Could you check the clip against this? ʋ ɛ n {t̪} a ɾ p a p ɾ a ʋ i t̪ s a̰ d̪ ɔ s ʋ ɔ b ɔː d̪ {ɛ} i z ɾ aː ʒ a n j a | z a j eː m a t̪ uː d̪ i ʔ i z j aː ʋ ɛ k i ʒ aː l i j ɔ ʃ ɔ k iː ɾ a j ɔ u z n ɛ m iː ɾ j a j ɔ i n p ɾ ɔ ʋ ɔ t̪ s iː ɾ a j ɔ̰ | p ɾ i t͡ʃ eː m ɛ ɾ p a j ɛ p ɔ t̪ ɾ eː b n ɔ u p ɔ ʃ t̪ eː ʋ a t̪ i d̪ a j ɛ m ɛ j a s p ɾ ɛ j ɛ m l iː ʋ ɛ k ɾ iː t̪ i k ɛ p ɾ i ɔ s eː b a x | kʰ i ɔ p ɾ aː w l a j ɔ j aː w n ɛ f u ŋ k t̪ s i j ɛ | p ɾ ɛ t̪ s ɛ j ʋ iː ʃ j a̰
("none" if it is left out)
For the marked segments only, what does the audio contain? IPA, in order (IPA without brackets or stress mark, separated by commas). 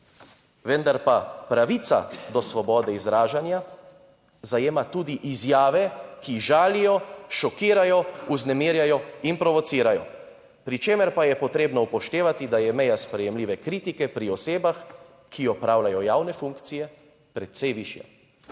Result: d̪, ɛ